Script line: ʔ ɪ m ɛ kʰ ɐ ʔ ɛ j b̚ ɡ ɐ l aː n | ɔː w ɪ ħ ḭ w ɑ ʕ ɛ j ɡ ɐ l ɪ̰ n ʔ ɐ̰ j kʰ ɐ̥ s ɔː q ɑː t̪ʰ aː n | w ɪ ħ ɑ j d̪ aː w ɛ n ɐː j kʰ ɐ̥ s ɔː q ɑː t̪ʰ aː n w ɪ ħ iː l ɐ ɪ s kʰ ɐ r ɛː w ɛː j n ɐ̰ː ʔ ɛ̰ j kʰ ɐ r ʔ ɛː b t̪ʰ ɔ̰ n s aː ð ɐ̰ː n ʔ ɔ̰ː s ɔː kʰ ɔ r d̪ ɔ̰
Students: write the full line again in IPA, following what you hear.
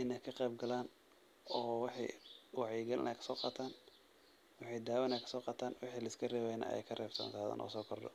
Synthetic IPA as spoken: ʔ ɪ n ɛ kʰ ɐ q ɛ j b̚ ɡ ɐ l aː n | ɔː w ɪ ħ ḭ w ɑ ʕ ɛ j ɡ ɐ l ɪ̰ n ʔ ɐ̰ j kʰ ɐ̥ s ɔː q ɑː t̪ʰ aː n | w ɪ ħ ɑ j d̪ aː w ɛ n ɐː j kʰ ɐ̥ s ɔː q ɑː t̪ʰ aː n w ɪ ħ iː l ɐ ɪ s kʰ ɐ r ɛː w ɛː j n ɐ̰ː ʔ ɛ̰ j kʰ ɐ r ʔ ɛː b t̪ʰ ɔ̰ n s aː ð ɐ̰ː n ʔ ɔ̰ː s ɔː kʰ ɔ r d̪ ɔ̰